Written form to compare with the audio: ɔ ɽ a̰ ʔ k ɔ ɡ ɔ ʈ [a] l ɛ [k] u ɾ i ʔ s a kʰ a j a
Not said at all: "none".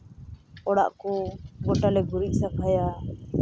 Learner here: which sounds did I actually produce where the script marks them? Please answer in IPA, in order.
a, ɡ

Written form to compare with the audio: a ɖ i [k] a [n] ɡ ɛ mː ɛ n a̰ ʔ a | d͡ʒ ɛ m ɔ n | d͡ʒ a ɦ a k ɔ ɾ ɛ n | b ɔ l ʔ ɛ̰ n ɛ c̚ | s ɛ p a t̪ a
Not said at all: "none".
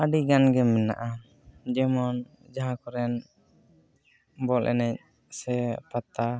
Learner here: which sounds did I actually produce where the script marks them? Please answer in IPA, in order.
ɡ, n

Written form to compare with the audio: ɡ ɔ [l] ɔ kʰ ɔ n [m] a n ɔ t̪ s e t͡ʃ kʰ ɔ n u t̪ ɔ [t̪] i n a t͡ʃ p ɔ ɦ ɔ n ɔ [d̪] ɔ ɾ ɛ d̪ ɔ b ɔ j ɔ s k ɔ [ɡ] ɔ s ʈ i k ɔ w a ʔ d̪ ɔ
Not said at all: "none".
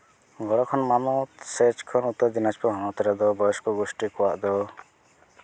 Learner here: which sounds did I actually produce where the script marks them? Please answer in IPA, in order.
ɽ, m, d̪, t̪, ɡ

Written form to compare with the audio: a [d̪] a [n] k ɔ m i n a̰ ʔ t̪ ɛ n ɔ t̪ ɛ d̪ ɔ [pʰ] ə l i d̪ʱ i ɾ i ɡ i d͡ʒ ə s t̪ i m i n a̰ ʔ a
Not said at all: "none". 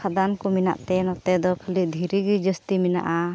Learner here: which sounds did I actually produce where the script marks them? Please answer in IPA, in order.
d̪, n, kʰ

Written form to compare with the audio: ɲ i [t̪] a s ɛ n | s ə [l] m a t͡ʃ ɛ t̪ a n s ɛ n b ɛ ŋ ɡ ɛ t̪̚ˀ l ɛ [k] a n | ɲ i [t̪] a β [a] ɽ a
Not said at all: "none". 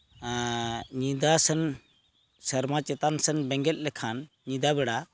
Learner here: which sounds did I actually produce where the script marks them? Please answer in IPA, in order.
d̪, ɾ, kʰ, d̪, ɛ

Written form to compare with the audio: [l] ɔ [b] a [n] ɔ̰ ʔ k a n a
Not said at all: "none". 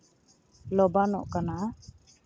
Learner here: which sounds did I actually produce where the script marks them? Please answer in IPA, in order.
l, b, n

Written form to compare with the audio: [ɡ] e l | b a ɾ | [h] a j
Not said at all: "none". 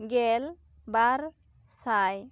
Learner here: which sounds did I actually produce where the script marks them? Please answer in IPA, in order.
ɡ, s

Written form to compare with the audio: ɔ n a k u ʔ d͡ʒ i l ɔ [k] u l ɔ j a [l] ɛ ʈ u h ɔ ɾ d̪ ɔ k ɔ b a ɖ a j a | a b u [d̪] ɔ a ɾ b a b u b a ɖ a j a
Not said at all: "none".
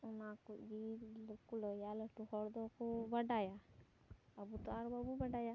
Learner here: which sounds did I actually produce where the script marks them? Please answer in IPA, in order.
k, l, t̪

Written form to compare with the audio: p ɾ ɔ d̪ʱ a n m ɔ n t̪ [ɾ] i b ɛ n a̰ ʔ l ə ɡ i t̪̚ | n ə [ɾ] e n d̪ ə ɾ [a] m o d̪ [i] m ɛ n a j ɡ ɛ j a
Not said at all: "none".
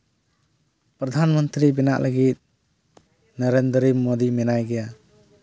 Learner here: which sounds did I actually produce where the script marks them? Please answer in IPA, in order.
ɾ, ɾ, i, i

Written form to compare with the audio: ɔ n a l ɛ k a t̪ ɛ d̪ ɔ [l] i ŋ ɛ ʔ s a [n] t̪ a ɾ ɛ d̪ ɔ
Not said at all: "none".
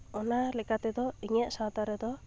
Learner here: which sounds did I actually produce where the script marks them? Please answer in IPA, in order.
none, none

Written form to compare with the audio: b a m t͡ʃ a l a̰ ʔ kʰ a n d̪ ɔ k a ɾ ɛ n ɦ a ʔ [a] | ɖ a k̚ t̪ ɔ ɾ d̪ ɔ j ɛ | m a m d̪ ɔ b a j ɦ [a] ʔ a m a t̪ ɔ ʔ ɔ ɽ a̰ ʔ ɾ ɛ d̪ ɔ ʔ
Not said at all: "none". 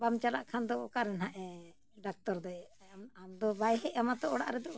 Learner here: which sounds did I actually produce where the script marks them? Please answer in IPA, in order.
ɛ, ɛ

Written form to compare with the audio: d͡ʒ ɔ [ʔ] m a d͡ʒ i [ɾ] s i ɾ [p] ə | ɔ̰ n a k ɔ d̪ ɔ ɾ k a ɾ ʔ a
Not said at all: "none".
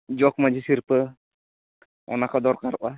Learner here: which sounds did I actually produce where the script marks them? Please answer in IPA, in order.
k, none, p

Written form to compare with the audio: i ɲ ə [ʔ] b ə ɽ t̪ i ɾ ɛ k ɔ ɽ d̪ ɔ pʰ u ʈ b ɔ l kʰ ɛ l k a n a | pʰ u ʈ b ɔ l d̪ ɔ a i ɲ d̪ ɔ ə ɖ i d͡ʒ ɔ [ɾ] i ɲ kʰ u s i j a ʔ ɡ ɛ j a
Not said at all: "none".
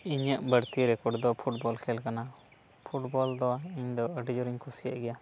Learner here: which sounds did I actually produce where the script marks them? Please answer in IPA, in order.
ʔ, ɾ

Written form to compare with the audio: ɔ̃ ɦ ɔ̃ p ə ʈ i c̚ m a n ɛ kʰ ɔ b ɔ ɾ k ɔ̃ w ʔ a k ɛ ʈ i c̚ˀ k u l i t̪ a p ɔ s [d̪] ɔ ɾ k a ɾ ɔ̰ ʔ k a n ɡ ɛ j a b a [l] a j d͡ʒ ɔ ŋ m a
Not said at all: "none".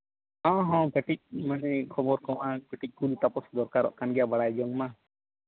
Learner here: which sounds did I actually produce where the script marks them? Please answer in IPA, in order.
d̪, ɽ

